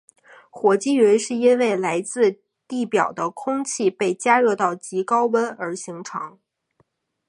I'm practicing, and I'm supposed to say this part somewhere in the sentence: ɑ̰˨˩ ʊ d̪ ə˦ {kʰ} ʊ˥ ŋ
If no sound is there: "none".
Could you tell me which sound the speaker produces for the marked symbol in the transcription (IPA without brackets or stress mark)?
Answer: kʰ